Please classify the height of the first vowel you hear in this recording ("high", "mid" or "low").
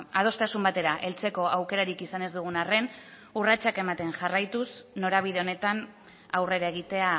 low